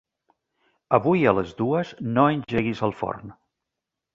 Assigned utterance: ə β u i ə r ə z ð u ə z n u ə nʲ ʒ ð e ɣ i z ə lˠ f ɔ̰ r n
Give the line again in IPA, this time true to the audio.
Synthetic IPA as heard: ə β u j ə l ə z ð u ə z n o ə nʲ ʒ ʒ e ɣ i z ə lˠ f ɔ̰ r n

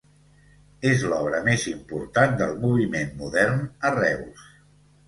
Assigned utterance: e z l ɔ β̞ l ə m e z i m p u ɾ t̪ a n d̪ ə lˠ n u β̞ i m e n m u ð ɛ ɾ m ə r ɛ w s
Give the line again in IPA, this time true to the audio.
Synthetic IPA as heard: e z l ɔ β̞ ɾ ə m e z i m p u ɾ t̪ a n d̪ ə lˠ m u β̞ i m e n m u ð ɛ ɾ n ə r ɛ w s

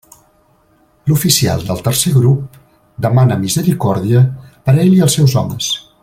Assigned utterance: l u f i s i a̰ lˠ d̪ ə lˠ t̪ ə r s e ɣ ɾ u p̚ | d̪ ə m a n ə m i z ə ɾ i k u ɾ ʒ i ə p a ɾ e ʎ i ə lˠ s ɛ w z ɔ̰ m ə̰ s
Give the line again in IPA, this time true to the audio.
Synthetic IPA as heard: l u f i s i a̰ lˠ d̪ ə lˠ t̪ ə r s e ɣ ɾ u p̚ | d̪ ə m a n ə m i z ə ɾ i k ɔ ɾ ð i ə p ə ɾ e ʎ i ə lˠ s ɛ w z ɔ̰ m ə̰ s

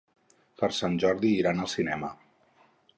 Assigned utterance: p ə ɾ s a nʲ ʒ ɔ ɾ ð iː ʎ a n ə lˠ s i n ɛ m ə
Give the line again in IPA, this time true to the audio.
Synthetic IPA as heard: p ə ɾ s a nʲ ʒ ɔ ɾ ð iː ɾ a n ə lˠ s i n ɛ m ə

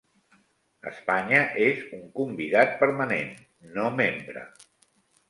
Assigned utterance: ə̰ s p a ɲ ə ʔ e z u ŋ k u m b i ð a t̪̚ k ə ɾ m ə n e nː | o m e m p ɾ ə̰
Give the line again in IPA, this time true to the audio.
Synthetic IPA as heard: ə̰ s p a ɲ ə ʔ e z u ŋ k u m b i ð a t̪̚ p ə ɾ m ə n e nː | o m e m b ɾ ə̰

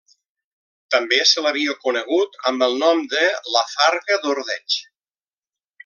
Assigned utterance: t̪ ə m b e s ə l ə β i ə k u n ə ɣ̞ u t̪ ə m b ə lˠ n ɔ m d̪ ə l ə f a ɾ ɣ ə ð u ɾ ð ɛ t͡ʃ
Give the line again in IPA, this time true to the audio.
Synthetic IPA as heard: t̪ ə m b e s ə l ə β i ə k u n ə ɣ̞ u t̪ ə m b ə lˠ n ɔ m d̪ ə l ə f a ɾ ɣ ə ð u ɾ ð ɛ t͡ʃ

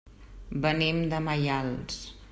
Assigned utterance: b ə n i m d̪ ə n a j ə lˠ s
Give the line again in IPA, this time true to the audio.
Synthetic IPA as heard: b ə n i m d̪ ə m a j a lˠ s

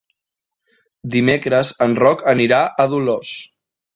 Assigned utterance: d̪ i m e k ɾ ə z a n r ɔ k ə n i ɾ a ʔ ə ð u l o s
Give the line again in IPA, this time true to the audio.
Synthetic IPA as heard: d̪ i m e k ɾ ə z ə n r ɔ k ə n i ɾ a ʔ ə ð u l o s

